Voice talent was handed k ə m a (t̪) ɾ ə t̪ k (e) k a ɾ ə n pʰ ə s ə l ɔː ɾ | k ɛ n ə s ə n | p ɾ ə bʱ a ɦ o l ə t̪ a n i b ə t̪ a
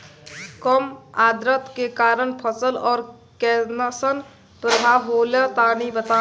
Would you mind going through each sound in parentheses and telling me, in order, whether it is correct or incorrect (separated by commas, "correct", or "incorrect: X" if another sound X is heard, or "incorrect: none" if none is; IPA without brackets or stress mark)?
incorrect: d̪, correct